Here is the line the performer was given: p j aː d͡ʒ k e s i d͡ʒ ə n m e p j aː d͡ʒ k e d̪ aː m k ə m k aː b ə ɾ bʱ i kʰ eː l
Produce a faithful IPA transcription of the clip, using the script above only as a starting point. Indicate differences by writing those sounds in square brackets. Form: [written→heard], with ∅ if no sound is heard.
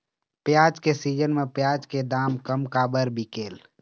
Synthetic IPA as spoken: p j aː d͡ʒ k e s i d͡ʒ ə n m e p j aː d͡ʒ k e d̪ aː m k ə m k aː b ə ɾ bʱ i [kʰ→k] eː l